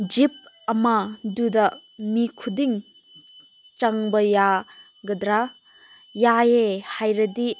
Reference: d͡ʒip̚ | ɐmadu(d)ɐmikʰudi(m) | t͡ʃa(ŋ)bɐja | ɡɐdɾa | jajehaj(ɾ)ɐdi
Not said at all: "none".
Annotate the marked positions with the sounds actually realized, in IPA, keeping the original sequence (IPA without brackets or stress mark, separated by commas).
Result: d, ŋ, ŋ, ɾ